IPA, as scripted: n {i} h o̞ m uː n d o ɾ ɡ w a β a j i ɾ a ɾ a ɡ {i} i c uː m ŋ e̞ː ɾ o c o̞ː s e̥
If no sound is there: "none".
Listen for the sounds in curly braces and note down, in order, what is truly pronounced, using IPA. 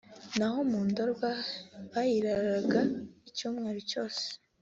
a, a

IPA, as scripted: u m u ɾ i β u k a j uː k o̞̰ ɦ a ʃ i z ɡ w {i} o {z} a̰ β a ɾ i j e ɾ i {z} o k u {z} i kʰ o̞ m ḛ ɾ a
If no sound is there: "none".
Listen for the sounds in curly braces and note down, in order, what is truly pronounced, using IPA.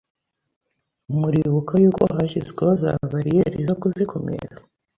e, z, z, z

